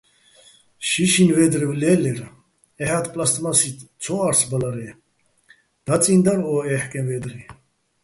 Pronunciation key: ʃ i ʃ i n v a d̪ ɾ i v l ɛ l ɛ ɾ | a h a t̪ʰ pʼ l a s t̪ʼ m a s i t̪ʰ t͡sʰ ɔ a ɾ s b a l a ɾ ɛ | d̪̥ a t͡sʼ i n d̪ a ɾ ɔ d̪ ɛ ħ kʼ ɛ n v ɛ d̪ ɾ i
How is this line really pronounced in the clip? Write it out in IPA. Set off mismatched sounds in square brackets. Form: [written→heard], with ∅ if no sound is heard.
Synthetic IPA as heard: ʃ i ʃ i n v [a→ɛ] d̪ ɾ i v l ɛ l ɛ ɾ | [a→ɛ] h a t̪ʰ pʼ l a s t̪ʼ m a s i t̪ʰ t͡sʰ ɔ a ɾ s b a l a ɾ ɛ | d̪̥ a t͡sʼ i n d̪ a ɾ ɔ [d̪→∅] ɛ ħ kʼ ɛ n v ɛ d̪ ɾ i